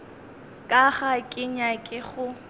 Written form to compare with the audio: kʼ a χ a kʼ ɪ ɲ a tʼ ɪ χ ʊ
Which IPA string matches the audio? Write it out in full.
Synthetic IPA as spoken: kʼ a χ a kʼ ɪ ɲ a kʼ ɪ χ ʊ